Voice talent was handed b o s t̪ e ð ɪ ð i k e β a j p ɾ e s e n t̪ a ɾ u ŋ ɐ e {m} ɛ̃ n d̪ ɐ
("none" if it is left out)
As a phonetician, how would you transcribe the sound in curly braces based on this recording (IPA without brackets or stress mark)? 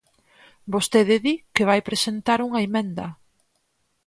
m